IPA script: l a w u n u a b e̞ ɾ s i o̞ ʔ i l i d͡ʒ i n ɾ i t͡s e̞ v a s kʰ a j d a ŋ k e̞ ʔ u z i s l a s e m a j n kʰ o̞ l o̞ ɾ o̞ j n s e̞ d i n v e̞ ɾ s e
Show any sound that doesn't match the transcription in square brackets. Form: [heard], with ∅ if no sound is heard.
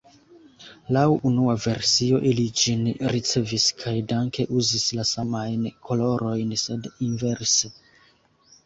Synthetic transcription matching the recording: l a w u n u a [v] e̞ ɾ s i o̞ ʔ i l i d͡ʒ i n ɾ i t͡s e̞ v [i] s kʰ a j d a ŋ k e̞ ʔ u z i s l a s [a] m a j n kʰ o̞ l o̞ ɾ o̞ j n s e̞ d i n v e̞ ɾ s e